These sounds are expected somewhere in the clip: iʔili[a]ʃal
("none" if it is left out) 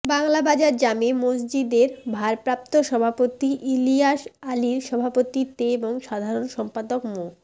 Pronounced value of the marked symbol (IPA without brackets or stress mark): a